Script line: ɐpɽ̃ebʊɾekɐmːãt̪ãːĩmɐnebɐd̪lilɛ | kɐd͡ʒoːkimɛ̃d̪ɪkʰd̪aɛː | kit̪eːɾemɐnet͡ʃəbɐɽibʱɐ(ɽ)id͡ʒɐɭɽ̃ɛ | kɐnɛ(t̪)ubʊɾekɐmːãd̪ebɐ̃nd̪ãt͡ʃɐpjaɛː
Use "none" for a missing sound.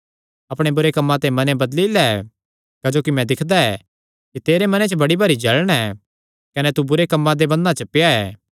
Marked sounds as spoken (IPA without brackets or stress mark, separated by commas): ɾ, t̪